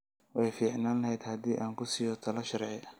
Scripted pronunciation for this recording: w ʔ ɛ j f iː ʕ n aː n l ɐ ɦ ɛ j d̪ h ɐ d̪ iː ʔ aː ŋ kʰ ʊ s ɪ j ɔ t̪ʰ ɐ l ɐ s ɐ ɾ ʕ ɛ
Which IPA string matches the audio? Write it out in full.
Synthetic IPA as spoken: w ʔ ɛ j f iː ʕ n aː n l ɐ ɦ ɛ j d̪ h ɐ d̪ iː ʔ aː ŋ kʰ ʊ s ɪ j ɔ t̪ʰ ɐ l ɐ ʃ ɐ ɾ ʕ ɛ

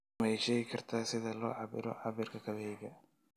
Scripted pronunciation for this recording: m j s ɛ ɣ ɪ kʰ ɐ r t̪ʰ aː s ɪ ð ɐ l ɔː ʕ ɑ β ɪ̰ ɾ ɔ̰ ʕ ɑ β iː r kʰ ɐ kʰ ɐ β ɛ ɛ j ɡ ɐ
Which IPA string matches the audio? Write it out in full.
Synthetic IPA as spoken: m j ʃ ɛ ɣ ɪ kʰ ɐ r t̪ʰ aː s ɪ ð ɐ l ɔː ʕ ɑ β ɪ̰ ɾ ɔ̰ ʕ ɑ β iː r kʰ ɐ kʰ ɐ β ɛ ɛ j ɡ ɐ

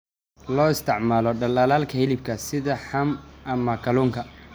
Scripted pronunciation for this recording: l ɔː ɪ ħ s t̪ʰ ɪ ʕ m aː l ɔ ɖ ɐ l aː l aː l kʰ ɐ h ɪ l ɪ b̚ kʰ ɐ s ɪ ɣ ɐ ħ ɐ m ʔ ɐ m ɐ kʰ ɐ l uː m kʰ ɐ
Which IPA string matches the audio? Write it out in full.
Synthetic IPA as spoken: l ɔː ɪ s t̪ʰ ɪ ʕ m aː l ɔ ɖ ɐ l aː l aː l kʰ ɐ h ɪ l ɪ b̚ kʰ ɐ s ɪ ð ɐ ħ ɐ m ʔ ɐ m ɐ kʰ ɐ l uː ŋ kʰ ɐ

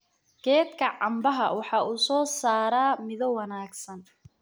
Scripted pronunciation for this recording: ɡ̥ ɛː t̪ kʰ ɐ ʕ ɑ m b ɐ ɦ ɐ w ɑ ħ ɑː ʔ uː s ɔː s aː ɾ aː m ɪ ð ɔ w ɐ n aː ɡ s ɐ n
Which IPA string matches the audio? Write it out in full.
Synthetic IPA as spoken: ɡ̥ ɛː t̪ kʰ ɐ ʕ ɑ m b ɐ ɦ ɐ w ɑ ħ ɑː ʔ uː s ɔː s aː ɾ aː m ɪ ð ɔ w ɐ n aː ɡ s ɐ n

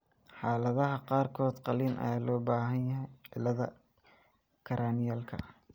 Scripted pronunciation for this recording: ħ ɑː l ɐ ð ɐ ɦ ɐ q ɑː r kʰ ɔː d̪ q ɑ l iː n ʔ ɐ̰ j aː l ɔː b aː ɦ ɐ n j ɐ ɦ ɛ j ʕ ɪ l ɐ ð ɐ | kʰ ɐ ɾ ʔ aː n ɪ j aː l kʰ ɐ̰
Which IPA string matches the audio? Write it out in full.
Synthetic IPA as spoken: ħ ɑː l ɐ ð ɐ ɦ ɐ q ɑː r kʰ ɔː d̪ q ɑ l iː n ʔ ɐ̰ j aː l ɔː b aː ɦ ɐ n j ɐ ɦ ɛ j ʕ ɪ l ɐ ð ɐ | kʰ ɐ ɾ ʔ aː n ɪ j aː l kʰ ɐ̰

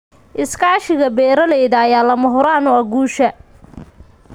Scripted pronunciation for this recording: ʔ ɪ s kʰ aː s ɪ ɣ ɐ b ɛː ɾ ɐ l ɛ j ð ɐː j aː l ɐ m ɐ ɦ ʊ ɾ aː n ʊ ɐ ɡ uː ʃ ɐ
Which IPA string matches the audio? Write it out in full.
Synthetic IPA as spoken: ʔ ɪ s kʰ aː ʃ ɪ ɣ ɐ b ɛː ɾ ɐ l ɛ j ð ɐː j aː l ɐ m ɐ ɦ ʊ ɾ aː n ʊ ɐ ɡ uː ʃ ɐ

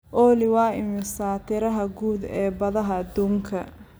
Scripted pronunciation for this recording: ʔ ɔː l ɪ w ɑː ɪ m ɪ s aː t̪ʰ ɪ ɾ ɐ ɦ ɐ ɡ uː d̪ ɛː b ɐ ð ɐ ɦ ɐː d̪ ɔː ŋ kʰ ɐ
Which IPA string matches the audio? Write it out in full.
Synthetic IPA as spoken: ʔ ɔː l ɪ w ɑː ɪ m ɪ s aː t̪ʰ ɪ ɾ ɐ ɦ ɐ ɡ uː d̪ ɛː b ɐ ð ɐ ɦ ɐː d̪ uː ŋ kʰ ɐ

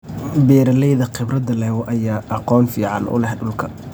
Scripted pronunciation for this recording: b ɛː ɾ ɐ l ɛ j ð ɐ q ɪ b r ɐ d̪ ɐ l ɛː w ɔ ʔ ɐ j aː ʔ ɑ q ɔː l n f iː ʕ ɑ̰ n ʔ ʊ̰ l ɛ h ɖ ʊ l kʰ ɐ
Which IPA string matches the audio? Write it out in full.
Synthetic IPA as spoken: b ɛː ɾ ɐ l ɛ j ð ɐ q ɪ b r ɐ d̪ ɐ l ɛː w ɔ ʔ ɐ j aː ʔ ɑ q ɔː n f iː ʕ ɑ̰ n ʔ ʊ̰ l ɛ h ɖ ʊ l kʰ ɐ

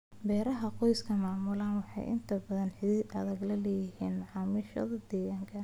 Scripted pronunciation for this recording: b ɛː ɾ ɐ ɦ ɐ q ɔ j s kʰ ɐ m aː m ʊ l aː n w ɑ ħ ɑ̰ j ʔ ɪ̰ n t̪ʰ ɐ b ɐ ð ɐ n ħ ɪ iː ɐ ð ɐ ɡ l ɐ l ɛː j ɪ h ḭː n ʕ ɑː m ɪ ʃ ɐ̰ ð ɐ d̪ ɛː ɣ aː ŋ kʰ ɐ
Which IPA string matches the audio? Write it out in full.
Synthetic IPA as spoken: b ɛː ɾ ɐ ɦ ɐ q ɔ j s kʰ ɐ m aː m ʊ l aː n w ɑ ħ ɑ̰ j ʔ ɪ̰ n t̪ʰ ɐ b ɐ ð ɐ n ħ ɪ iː ɐ ð ɐ ɡ l ɐ l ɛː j ɪ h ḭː n ʕ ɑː m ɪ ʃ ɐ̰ ð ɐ d̪ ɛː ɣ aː ŋ kʰ ɐ

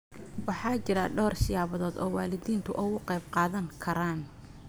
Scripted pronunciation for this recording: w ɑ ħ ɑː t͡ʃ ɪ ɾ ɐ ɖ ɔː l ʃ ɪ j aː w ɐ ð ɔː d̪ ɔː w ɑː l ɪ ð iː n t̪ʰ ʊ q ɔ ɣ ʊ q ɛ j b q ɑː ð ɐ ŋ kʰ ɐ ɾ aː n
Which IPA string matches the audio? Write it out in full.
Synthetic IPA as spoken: w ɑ ħ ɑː t͡ʃ ɪ ɾ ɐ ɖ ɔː r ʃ ɪ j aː β ɐ ð ɔː d̪ ɔː w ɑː l ɪ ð iː n t̪ʰ ʊ ʔ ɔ ɣ ʊ q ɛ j b q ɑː ð ɐ ŋ kʰ ɐ ɾ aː n

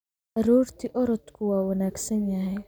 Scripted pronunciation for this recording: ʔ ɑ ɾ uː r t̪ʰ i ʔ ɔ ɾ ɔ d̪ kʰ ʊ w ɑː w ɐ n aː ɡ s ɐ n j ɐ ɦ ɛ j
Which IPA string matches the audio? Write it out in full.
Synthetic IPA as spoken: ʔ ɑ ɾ uː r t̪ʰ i ʔ ɔ ɾ ɔ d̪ kʰ ʊ w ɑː w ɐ n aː ɡ s ɐ n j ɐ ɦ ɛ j

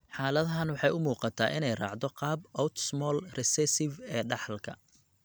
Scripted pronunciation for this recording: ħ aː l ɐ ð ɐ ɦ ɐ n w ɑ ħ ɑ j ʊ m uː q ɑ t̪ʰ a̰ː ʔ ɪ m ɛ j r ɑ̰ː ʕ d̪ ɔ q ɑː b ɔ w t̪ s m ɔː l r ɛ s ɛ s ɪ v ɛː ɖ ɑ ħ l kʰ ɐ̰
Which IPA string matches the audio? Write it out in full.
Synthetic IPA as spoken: ħ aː l ɐ ð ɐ ɦ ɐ n w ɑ ħ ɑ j ʊ m uː q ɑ t̪ʰ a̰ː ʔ ɪ n ɛ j r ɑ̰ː ʕ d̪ ɔ q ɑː b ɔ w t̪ s m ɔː l r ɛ s ɛ s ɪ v ɛː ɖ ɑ ħ l kʰ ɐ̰

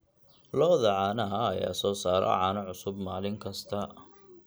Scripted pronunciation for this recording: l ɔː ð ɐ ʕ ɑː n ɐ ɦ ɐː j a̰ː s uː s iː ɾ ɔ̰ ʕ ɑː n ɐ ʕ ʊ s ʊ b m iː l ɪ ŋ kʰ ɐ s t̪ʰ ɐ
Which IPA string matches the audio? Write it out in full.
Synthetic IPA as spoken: l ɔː ð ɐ ʕ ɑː n ɐ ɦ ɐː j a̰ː s ɔː s aː ɾ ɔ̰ ʕ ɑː n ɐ ʕ ʊ s ʊ b m aː l ɪ ŋ kʰ ɐ s t̪ʰ ɐ

